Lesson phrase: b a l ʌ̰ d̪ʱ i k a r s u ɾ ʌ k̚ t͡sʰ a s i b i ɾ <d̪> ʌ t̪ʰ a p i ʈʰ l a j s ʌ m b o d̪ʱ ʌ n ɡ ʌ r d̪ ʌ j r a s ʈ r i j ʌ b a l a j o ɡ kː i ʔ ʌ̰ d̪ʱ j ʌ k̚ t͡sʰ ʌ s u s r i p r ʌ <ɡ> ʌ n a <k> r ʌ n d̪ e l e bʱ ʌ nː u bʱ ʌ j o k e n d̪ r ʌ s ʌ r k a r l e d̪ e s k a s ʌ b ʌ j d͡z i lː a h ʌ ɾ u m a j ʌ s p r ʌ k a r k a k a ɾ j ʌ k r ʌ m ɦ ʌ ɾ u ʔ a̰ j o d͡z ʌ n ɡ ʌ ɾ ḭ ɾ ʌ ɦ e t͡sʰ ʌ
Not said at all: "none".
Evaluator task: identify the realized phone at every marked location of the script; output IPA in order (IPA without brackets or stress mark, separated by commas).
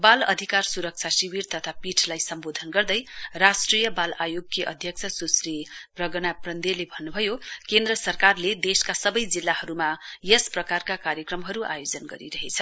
t̪, ɡ, p